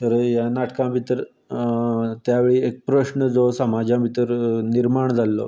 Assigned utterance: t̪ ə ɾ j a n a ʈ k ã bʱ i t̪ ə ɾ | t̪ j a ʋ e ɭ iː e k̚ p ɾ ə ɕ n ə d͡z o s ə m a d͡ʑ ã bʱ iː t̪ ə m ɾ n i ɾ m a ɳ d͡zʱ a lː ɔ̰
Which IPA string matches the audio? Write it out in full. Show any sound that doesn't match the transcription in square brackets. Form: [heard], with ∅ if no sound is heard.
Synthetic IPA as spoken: t̪ ə ɾ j a n a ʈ k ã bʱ i t̪ ə ɾ | t̪ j a ʋ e ɭ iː e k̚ p ɾ ə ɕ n ə d͡z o s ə m a d͡ʑ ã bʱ [i] t̪ ə [∅] ɾ n i ɾ m a ɳ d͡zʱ a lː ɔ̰